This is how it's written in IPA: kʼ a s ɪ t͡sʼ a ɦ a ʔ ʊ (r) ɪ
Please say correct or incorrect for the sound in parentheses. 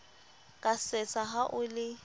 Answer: incorrect